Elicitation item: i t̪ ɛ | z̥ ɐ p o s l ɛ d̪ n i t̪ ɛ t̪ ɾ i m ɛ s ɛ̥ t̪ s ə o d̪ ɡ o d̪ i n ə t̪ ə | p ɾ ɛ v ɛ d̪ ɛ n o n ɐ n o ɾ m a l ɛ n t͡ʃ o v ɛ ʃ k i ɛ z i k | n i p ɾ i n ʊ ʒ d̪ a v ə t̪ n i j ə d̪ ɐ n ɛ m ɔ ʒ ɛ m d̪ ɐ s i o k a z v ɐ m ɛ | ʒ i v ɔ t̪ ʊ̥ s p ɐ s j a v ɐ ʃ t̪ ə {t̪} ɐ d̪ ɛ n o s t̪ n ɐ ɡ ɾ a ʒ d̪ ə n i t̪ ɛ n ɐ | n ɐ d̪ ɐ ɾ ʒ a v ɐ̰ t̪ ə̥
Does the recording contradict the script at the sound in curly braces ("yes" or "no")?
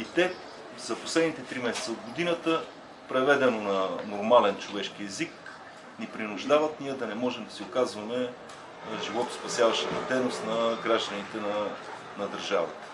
no